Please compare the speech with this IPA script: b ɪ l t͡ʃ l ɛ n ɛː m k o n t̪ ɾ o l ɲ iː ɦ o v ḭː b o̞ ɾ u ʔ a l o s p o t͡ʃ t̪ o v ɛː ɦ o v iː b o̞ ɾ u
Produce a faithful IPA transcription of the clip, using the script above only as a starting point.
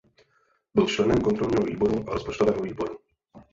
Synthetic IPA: b ɪ l t͡ʃ l ɛ n ɛ m k o n t̪ ɾ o l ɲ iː ɦ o v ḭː b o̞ ɾ u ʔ a ɾ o s p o t͡ʃ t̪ o v ɛː ɦ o v iː b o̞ ɾ u